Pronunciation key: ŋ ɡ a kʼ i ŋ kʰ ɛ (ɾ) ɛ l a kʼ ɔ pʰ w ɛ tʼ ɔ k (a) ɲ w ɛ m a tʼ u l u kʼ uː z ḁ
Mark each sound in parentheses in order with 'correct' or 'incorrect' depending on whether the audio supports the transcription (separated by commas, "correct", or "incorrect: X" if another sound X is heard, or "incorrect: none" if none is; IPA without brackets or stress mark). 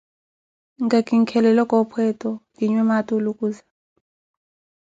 incorrect: l, incorrect: i